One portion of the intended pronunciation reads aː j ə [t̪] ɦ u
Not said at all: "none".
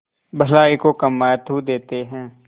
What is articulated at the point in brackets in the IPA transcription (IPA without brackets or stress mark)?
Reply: t̪